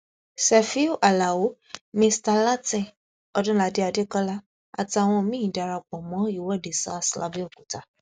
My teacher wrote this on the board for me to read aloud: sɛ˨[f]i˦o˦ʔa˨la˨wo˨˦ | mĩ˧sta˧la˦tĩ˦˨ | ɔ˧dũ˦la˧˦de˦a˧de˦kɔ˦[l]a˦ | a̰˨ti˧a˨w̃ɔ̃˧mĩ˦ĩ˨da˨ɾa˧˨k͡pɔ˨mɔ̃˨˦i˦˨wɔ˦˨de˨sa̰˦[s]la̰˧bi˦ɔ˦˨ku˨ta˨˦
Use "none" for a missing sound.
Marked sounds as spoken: f, l, s

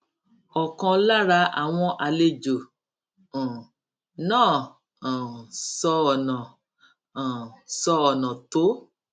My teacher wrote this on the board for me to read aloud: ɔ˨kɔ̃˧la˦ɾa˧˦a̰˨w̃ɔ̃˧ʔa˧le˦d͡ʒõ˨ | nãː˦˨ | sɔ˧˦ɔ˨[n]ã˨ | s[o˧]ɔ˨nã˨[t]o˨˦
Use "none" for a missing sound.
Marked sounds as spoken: n, ɔ˧, t

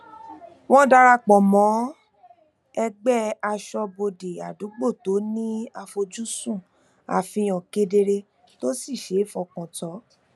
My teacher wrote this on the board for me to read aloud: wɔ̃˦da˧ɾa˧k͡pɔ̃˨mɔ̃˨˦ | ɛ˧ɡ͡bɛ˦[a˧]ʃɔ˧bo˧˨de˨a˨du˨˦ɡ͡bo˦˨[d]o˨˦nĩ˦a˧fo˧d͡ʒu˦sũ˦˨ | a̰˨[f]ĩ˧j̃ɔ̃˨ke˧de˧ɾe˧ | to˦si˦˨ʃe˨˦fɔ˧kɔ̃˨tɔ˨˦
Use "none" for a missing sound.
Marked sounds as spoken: a˧, t, f

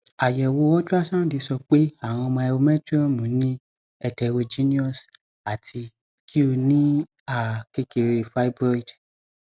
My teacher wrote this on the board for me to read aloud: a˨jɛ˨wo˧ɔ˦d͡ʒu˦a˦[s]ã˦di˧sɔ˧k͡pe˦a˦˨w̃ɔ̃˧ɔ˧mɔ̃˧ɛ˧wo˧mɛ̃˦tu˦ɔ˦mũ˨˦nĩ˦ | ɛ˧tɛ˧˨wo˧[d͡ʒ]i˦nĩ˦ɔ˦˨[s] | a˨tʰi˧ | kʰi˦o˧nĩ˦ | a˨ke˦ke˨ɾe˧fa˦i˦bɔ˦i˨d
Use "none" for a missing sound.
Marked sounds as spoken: s, d͡ʒ, s

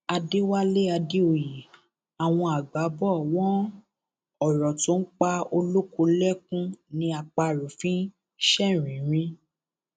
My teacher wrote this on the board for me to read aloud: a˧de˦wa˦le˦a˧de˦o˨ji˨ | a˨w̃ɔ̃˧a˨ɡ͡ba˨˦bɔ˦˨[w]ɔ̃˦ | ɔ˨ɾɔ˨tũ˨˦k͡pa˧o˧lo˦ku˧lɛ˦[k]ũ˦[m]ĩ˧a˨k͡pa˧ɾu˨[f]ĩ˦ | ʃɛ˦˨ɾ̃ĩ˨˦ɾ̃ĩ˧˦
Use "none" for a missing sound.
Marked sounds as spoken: w, k, n, f

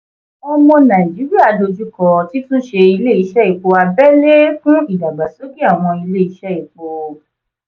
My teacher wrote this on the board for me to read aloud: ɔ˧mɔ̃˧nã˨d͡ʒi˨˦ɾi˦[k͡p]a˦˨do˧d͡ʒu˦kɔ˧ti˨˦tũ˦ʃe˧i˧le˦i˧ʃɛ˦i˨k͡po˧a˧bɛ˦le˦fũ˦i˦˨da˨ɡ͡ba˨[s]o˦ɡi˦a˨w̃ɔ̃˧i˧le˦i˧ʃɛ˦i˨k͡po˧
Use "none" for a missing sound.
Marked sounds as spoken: none, s

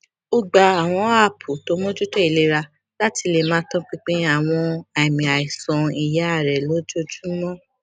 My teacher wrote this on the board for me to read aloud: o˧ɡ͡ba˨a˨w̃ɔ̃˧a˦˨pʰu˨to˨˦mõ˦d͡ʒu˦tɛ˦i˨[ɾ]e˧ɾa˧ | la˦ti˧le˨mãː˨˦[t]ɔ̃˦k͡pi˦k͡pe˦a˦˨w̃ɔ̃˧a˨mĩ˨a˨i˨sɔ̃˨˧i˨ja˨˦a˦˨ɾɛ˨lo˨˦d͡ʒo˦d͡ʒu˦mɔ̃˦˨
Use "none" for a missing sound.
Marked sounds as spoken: l, t

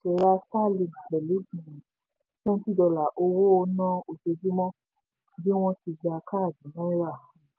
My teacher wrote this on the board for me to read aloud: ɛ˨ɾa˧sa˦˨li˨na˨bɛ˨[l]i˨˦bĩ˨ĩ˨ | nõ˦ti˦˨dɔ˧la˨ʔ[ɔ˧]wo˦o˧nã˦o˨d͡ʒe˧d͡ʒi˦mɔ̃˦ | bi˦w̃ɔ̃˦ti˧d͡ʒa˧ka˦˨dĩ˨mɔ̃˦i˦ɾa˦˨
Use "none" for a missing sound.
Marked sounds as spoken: l, o˧

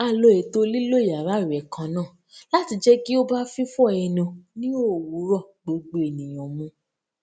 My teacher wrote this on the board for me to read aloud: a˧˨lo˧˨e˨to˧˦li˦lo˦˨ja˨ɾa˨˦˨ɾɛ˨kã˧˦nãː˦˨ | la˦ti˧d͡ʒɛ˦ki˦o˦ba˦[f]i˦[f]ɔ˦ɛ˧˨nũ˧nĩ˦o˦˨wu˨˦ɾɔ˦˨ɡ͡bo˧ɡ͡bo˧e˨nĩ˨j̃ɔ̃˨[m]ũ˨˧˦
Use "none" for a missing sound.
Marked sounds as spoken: f, f, m

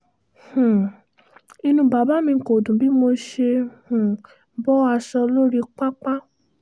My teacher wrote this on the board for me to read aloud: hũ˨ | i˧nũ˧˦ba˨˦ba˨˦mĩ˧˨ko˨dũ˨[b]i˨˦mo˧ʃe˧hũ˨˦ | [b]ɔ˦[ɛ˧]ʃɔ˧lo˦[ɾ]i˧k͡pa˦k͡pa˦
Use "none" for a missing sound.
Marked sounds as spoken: b, b, a˧, ɾ

